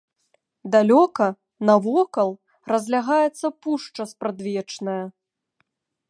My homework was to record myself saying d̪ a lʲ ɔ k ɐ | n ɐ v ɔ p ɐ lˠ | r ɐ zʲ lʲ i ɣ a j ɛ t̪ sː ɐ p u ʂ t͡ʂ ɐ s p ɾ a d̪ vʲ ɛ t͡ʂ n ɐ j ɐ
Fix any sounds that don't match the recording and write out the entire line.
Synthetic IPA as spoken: d̪ a lʲ ɔ k ɐ | n ɐ v ɔ k ɐ lˠ | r ɐ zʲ lʲ a ɣ a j ɛ t̪ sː ɐ p u ʂ t͡ʂ ɐ s p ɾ a d̪ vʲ ɛ t͡ʂ n ɐ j ɐ